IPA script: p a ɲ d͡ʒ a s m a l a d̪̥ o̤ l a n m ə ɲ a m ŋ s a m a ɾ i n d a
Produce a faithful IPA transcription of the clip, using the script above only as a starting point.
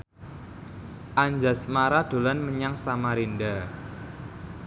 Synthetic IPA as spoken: ʔ a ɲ d͡ʒ a s m a ɾ a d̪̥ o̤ l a n m ə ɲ a ŋ s a m a ɾ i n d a